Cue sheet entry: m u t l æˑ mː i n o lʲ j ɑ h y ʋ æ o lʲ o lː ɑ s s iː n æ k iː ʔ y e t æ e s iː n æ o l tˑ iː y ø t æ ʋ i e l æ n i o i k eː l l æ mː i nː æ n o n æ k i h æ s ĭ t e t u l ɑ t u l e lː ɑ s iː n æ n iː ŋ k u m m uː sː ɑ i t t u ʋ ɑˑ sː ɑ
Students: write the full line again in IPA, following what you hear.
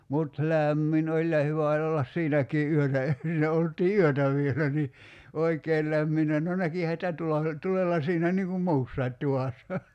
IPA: m u t l æˑ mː i n o lʲ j ɑ h y ʋ æ o lʲ o lː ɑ s s iː n æ k iː ʔ y ø t æ e s iː n æ o l tˑ iː y ø t æ ʋ i e l æ n i o i k eː l l æ mː i nː æ n o n æ k i h æ s ĭ t æ t u l ɑ t u l e lː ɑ s iː n æ n iː ŋ k u m m uː sː ɑ i t t u ʋ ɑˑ sː ɑ